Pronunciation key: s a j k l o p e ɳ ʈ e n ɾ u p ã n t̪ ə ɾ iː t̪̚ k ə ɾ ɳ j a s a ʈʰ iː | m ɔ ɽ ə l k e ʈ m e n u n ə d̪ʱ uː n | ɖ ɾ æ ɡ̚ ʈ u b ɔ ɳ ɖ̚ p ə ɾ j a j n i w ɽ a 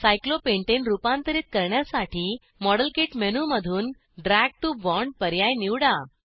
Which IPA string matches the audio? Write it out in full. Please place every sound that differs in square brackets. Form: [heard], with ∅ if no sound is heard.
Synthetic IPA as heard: s a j k l o p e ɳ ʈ e n ɾ u p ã n t̪ ə ɾ iː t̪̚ k ə ɾ ɳ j a s a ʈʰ iː | m ɔ ɽ ə l k e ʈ m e n u [m] ə d̪ʱ uː n | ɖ ɾ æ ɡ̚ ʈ u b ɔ ɳ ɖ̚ p ə ɾ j a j n i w ɽ a